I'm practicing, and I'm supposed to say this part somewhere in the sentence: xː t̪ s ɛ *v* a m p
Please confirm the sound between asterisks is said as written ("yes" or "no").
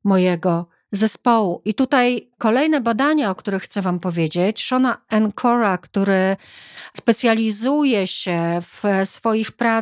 yes